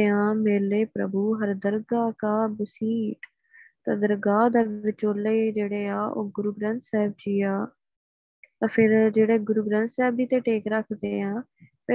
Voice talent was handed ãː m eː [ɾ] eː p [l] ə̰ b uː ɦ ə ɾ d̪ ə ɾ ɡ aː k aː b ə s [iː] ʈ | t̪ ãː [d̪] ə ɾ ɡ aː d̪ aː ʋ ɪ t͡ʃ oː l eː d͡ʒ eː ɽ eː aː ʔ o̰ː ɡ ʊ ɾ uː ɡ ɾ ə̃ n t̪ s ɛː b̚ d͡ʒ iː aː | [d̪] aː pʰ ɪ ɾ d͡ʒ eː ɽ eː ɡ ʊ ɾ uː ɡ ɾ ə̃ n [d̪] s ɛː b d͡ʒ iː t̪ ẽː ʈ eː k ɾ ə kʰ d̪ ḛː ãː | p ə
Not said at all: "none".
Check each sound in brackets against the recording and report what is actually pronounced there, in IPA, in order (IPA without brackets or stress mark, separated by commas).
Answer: l, ɾ, iː, d̪, t̪, t̪